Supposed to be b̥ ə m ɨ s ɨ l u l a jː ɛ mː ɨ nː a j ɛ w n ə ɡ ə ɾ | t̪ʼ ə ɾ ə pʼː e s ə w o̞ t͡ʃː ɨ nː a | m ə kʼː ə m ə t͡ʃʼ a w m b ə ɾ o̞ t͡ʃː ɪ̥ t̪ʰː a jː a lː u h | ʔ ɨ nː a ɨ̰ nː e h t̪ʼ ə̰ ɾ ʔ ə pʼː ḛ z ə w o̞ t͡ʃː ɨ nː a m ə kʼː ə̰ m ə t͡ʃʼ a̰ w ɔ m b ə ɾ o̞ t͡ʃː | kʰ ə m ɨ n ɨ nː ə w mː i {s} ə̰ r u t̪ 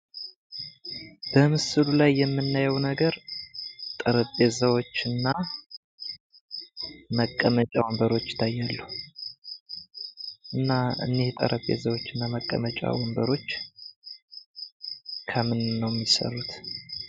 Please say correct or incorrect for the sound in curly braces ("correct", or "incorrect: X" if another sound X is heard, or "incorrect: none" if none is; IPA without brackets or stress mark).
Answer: correct